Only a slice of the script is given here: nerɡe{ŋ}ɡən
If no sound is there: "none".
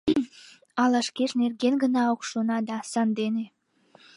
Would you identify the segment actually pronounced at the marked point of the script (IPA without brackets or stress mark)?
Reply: n